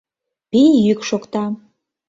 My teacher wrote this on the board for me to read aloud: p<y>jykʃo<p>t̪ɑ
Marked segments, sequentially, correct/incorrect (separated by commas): incorrect, incorrect